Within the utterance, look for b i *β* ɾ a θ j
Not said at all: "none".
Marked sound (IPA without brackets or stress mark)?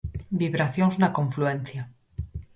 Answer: β